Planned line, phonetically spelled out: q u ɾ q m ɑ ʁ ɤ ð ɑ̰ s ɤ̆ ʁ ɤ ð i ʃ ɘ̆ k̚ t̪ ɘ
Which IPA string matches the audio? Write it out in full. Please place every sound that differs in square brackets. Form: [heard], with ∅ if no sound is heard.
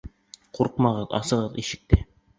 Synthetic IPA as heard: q u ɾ q m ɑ ʁ ɤ ð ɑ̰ s ɤ̆ ʁ ɤ ð i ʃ ɘ̆ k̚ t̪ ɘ